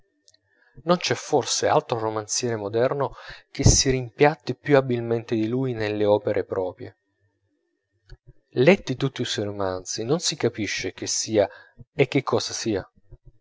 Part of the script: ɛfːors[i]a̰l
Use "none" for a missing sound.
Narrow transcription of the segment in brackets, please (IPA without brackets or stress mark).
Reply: e